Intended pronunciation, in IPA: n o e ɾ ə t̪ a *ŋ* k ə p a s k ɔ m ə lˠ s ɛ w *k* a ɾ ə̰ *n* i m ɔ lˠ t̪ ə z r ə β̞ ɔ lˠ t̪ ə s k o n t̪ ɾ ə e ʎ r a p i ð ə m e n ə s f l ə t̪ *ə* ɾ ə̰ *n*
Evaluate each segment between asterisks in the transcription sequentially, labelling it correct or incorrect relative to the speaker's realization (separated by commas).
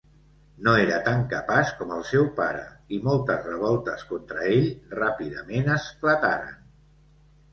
correct, incorrect, incorrect, incorrect, correct